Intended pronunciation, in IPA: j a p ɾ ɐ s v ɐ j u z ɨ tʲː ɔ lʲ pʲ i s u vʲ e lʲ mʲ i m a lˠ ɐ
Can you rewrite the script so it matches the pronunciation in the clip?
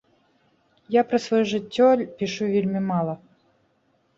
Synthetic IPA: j a p ɾ ɐ s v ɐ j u ʐ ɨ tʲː ɔ lʲ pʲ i ʂ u vʲ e lʲ mʲ i m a lˠ ɐ